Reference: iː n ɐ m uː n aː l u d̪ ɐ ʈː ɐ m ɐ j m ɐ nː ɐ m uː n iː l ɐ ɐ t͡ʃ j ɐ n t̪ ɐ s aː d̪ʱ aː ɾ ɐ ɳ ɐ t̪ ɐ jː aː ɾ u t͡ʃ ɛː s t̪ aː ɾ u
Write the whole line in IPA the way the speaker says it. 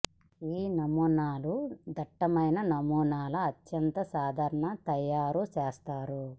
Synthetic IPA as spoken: iː n ɐ m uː n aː l u d̪ ɐ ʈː ɐ m ɐ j n ɐ n ɐ m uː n aː l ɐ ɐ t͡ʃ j ɐ n t̪ ɐ s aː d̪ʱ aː ɾ ɐ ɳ ɐ t̪ ɐ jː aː ɾ u t͡ʃ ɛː s t̪ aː ɾ u